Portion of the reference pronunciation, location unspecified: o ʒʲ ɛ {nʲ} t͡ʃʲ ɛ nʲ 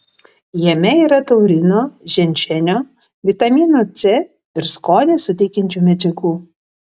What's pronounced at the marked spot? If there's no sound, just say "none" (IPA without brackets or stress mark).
nʲ